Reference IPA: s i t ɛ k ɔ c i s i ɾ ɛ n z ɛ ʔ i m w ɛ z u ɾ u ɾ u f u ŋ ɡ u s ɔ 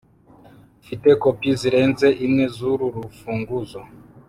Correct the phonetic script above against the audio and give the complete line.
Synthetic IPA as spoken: f i t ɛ k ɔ p i z i ɾ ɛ n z ɛ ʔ i m w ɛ z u ɾ u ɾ u f u ŋ ɡ u z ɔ